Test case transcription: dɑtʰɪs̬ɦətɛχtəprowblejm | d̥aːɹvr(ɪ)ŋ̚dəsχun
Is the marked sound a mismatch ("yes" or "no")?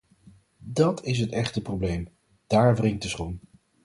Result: no